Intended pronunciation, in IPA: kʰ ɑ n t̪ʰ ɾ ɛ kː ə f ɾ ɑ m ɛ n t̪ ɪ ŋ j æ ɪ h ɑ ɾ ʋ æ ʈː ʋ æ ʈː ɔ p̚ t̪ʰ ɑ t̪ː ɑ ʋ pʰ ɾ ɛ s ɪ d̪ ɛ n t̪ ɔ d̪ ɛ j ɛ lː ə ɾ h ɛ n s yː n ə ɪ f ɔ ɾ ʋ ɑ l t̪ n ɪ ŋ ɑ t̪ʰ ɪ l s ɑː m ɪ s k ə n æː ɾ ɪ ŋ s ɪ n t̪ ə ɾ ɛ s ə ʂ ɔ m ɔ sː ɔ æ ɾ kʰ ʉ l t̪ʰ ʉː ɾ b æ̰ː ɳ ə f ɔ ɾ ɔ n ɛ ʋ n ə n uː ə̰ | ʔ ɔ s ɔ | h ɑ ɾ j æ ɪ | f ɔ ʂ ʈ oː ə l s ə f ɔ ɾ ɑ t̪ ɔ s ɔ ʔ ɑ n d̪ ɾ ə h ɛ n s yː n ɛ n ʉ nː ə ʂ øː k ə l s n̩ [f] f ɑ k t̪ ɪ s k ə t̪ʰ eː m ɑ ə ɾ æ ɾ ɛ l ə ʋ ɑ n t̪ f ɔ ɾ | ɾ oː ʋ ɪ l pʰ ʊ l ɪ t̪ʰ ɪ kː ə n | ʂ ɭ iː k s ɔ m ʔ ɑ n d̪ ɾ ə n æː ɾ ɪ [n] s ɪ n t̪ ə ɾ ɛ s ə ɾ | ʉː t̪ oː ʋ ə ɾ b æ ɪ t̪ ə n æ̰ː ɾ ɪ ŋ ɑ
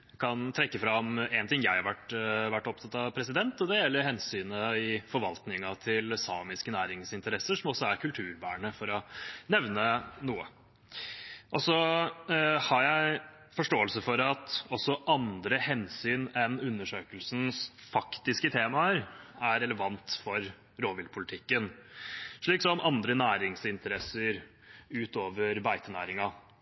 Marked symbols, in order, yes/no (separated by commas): no, no